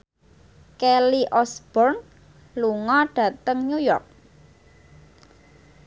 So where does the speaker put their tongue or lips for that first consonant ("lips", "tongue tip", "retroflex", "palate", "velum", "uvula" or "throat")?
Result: velum